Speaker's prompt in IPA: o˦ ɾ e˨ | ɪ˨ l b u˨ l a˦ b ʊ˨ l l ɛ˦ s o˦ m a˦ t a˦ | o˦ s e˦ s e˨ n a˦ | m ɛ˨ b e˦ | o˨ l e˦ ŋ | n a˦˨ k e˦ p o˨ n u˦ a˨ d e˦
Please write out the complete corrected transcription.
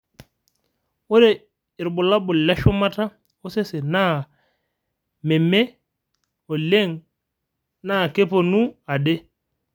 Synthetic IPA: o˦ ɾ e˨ | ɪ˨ ɾ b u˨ l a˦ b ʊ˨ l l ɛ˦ ʃ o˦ m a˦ t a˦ | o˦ s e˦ s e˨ n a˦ | m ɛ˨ m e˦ | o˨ l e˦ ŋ | n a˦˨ k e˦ p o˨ n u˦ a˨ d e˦